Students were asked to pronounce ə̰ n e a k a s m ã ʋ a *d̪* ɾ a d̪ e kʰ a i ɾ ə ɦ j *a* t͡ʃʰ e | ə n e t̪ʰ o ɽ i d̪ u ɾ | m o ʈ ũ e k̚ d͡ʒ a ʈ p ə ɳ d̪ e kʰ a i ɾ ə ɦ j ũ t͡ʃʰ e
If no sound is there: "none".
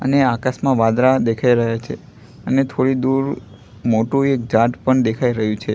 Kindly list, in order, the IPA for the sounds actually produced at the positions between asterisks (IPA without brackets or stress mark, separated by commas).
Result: d̪, a